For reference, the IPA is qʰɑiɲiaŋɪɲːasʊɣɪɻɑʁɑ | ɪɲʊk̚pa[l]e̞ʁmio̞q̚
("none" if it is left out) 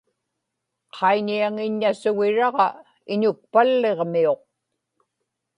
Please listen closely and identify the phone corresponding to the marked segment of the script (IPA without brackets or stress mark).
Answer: lː